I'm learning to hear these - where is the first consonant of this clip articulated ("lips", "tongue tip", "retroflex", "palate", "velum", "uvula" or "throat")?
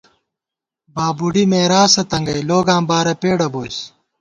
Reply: lips